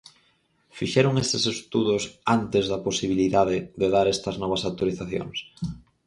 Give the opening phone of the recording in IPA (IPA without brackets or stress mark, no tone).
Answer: f